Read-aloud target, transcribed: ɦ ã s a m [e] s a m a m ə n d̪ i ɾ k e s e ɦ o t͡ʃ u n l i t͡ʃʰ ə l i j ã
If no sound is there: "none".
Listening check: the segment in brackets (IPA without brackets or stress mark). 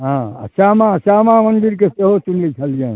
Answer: a